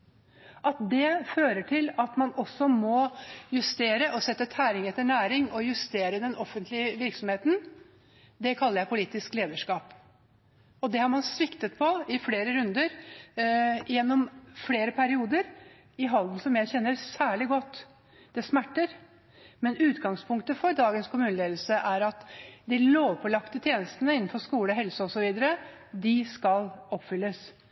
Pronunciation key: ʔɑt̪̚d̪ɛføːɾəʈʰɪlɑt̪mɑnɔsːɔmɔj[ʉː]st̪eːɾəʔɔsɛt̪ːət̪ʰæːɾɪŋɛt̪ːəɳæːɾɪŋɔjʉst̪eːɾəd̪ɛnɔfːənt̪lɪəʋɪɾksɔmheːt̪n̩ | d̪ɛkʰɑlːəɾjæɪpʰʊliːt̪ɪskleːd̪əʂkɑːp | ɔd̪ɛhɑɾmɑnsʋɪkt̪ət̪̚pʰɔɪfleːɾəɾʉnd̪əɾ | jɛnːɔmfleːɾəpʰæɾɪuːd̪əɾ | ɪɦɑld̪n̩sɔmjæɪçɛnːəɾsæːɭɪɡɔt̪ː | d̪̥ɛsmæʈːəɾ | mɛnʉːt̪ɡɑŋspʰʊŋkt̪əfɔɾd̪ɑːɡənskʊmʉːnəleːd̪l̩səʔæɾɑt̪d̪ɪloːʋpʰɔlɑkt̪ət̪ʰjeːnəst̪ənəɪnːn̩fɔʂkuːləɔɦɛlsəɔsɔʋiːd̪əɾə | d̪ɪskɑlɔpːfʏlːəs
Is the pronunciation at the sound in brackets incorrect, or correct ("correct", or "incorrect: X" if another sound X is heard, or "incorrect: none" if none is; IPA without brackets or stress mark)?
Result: incorrect: ʉ